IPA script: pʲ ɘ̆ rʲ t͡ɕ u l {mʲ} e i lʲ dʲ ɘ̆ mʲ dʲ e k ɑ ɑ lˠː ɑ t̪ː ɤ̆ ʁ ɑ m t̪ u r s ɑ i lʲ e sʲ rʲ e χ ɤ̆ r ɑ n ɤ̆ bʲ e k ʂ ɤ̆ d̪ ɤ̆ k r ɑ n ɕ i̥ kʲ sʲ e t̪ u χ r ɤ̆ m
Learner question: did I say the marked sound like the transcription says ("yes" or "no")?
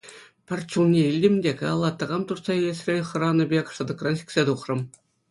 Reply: no